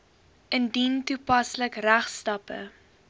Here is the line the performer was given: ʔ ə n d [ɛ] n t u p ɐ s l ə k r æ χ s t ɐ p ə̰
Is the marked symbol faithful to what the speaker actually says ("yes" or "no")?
no